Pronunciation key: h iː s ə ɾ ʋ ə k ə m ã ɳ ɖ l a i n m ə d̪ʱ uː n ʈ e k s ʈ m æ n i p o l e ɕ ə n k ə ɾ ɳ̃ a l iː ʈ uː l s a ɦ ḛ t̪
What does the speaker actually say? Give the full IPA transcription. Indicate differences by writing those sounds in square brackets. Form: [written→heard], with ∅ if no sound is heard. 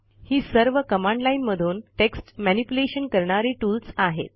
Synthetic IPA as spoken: h iː s ə ɾ ʋ ə k ə m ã ɳ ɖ l a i n m ə d̪ʱ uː n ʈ e k s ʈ m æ n i p [o→u] l e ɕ ə n k ə ɾ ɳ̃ a [l→ɾ] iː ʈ uː l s a ɦ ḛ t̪